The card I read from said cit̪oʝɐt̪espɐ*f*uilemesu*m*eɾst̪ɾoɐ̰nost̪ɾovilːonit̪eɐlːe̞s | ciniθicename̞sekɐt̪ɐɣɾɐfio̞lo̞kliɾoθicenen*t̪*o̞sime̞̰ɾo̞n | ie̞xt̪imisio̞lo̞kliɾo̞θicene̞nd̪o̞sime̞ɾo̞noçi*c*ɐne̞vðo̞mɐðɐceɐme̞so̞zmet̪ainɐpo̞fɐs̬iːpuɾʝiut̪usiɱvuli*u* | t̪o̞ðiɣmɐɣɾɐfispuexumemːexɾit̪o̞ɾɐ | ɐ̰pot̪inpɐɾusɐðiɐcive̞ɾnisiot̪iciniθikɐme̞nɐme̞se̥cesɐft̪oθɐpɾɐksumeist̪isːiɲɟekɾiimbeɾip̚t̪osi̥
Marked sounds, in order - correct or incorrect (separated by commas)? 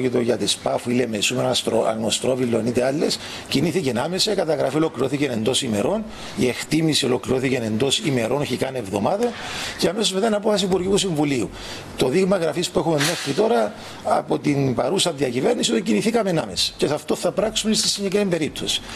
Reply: correct, correct, incorrect, incorrect, correct